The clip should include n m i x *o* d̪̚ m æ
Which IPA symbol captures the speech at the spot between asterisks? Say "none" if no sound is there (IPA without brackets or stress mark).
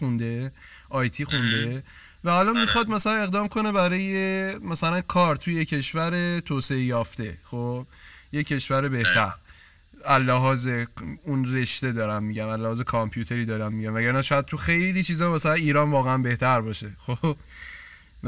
ɒ